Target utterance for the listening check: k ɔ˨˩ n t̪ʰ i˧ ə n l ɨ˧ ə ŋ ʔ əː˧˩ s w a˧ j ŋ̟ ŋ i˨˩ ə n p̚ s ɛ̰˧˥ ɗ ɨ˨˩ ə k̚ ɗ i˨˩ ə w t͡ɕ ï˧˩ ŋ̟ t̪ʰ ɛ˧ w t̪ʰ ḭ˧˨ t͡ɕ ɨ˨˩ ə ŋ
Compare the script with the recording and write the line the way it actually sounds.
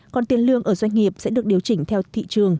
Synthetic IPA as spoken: k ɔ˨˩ n t̪ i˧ ə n l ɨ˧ ə ŋ ʔ əː˧˩ z w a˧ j ŋ̟ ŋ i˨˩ ə p̚ s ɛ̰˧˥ ɗ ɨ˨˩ ə k̚ ɗ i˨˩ ə w t͡ɕ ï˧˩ ŋ̟ t̪ʰ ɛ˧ w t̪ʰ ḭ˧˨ t͡ɕ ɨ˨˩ ə ŋ

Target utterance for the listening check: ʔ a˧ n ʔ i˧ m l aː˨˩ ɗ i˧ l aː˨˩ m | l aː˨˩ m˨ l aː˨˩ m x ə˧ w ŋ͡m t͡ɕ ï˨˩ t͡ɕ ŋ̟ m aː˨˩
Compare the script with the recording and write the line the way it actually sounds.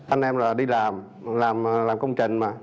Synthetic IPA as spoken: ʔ a˧ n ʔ ɛ˧ m l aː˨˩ ɗ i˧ l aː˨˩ m | l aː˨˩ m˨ l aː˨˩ m k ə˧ w ŋ͡m t͡ɕ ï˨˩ ŋ̟ m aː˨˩

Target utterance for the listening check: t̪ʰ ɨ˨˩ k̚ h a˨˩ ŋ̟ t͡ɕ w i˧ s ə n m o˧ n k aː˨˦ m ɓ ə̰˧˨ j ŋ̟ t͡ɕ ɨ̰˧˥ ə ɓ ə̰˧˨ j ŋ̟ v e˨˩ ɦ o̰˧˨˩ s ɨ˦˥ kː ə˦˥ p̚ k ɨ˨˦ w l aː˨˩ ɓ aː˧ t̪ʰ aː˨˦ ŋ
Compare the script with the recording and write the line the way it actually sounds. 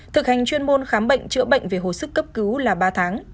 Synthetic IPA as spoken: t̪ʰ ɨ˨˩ k̚ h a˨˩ ŋ̟ t͡ɕ w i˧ ə n m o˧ n x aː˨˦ m ɓ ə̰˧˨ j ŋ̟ t͡ɕ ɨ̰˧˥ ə ɓ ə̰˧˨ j ŋ̟ v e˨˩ ɦ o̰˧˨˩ s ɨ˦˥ kː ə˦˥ p̚ k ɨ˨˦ w l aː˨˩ ɓ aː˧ t̪ʰ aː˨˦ ŋ

